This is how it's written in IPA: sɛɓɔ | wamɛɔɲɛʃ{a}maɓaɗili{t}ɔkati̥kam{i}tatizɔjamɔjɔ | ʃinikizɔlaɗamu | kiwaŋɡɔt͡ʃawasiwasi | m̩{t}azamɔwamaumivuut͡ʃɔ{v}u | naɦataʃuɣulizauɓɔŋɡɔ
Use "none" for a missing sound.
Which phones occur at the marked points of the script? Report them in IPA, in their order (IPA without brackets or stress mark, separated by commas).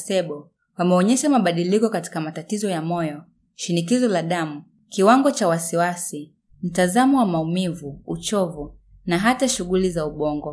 a, k, a, t, v